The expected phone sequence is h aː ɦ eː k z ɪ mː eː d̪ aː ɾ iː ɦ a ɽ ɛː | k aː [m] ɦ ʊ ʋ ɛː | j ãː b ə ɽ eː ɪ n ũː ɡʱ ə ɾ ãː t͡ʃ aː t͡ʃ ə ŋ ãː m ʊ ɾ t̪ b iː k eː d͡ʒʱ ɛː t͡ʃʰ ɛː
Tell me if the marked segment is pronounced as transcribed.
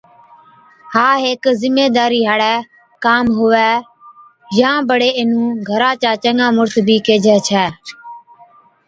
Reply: yes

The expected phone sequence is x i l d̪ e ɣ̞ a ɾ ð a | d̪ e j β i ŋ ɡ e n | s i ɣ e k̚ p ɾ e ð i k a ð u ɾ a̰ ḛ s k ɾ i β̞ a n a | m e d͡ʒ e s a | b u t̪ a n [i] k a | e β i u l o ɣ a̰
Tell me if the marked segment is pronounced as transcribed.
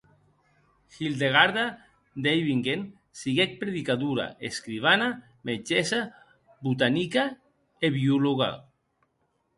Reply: yes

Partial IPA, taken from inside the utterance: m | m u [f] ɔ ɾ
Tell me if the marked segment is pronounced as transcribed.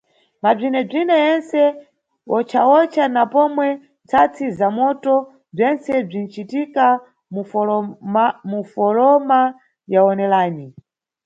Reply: yes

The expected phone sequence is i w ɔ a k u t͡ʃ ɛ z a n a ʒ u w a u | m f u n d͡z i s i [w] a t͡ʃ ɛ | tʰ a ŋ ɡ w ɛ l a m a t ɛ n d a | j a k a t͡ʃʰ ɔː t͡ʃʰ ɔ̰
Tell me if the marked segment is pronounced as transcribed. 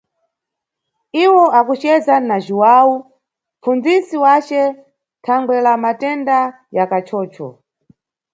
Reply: yes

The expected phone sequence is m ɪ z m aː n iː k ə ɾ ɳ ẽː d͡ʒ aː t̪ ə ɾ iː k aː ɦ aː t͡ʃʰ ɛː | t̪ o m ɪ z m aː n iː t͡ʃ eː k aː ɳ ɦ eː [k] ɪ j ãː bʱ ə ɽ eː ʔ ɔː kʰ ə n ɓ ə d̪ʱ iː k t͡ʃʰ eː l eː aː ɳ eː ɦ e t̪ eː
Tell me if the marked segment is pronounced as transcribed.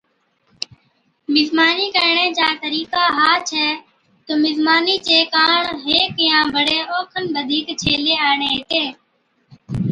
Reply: yes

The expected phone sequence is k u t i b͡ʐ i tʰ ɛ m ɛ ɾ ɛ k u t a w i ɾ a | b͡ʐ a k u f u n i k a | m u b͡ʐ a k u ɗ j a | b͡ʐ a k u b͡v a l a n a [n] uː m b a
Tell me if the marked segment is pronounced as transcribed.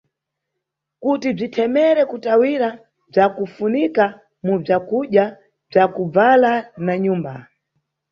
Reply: no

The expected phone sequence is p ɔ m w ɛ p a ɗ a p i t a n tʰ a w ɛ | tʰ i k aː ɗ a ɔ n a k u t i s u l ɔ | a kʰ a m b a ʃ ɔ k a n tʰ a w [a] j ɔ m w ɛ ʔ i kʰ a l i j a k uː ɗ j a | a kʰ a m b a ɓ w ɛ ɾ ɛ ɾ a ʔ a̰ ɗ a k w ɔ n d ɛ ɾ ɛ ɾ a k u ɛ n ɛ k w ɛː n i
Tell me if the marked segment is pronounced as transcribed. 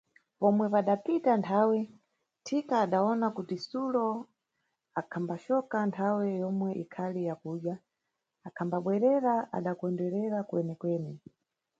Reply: no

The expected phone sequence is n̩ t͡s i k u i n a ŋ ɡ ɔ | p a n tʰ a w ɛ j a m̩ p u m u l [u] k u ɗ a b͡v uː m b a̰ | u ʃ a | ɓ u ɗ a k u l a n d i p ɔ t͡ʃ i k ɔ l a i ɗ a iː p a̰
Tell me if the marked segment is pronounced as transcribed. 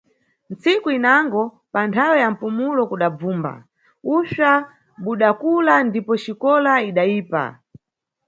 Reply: no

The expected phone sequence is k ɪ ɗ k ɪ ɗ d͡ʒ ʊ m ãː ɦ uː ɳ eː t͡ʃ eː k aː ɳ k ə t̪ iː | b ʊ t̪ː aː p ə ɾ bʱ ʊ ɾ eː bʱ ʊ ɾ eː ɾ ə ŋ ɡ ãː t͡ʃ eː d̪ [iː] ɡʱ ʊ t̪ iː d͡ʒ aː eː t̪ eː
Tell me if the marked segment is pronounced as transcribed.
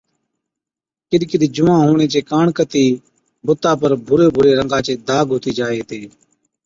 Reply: no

